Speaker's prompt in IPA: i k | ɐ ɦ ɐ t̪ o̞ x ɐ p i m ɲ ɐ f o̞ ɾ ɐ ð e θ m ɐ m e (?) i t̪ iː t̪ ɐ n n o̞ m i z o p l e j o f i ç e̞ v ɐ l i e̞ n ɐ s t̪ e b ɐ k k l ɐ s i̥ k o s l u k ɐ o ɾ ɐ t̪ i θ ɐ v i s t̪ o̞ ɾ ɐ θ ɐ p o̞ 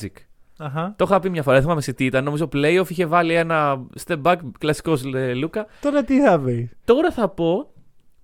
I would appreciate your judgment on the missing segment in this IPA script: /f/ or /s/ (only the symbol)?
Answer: s